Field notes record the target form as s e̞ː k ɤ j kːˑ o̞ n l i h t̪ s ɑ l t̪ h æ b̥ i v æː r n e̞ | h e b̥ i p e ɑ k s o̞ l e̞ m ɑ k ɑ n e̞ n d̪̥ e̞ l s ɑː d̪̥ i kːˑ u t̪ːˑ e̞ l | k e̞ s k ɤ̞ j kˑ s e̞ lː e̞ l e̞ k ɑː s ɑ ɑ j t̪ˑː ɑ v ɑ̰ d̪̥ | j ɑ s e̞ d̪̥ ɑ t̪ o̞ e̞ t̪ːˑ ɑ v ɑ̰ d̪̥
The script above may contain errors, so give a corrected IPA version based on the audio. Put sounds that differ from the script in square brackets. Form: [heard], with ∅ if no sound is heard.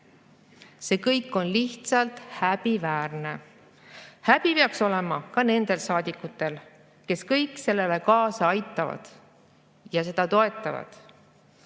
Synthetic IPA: s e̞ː k ɤ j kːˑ o̞ n l i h t̪ s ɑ l t̪ h æ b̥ i v æː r n e̞ | h [æ] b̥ i p e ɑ k s o̞ l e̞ m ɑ k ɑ n e̞ n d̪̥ e̞ l s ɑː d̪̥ i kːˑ u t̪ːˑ e̞ l | k e̞ s k ɤ̞ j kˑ s e̞ lː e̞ l e̞ k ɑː s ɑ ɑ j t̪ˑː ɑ v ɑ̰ d̪̥ | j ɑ s e̞ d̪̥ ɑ t̪ o̞ e̞ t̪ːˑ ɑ v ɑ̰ d̪̥